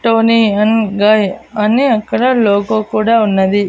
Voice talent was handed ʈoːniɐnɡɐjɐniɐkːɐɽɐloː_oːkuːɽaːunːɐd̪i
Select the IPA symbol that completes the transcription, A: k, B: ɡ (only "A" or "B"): A